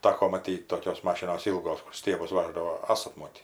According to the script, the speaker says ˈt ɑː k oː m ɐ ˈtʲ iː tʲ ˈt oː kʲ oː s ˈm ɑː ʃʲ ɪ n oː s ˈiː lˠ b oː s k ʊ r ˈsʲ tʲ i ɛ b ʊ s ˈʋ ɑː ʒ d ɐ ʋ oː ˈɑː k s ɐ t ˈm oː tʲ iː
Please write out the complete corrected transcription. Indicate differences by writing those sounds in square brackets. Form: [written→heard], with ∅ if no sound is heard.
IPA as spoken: ˈt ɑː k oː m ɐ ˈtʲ iː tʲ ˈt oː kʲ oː s ˈm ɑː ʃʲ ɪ n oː s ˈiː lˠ [b→ɡ] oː s k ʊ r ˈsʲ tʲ i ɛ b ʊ s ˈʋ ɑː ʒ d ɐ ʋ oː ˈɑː [k→∅] s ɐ t ˈm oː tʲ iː